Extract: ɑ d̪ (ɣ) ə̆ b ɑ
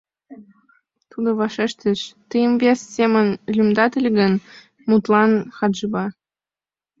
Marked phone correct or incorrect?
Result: incorrect: ʒ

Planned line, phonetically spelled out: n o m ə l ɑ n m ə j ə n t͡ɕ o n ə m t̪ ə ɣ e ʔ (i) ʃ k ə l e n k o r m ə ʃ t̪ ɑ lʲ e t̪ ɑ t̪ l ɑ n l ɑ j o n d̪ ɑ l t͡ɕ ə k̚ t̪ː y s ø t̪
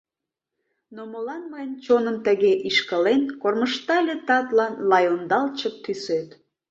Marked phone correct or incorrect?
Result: correct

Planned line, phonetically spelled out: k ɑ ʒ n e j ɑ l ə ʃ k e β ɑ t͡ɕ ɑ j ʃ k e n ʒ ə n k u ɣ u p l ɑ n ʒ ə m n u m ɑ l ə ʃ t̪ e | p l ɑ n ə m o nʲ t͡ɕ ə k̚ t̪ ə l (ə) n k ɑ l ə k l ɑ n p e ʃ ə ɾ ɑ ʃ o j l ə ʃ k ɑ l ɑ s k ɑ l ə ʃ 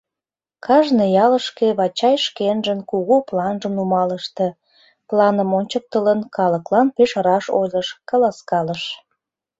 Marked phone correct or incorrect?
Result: correct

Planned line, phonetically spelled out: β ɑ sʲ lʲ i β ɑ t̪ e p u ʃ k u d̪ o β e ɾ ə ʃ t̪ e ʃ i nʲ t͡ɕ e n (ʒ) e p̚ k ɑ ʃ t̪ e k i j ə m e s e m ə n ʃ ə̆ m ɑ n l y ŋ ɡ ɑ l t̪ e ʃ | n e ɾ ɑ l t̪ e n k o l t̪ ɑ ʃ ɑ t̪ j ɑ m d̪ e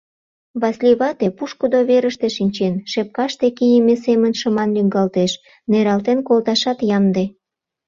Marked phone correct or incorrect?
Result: incorrect: ʃ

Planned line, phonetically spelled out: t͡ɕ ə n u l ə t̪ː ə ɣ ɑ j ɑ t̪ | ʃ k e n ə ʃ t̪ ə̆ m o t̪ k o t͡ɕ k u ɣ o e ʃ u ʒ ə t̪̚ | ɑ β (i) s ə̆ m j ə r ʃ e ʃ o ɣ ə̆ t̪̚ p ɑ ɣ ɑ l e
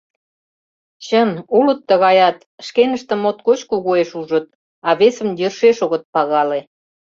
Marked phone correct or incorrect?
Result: incorrect: e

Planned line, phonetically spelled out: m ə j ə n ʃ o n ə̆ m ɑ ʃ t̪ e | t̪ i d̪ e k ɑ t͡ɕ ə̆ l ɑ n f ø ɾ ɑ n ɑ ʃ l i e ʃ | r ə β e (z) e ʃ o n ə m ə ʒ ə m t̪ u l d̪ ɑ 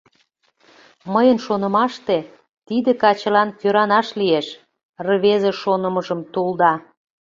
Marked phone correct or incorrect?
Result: correct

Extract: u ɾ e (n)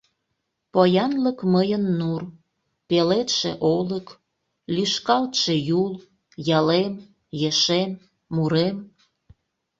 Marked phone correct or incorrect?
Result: incorrect: m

